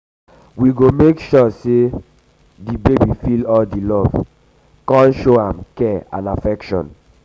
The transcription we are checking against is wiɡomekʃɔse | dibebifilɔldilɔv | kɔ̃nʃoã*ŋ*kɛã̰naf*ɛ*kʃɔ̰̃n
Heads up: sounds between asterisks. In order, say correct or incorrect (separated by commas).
incorrect, correct